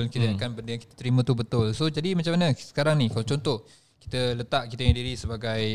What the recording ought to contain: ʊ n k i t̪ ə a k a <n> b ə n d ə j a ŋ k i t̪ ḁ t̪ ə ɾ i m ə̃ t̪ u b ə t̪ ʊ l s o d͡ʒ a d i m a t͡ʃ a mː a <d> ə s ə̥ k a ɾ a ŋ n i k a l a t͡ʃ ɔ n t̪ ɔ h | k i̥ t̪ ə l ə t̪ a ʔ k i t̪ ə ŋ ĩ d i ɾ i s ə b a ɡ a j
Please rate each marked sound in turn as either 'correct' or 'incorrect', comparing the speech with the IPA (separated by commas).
correct, incorrect